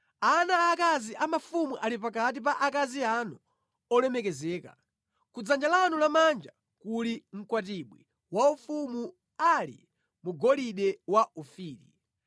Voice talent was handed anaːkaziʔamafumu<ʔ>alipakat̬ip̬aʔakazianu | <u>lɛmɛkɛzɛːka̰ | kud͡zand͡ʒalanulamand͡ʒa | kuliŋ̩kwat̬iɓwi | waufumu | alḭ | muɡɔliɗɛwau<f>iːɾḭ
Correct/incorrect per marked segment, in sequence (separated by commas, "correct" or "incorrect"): correct, incorrect, correct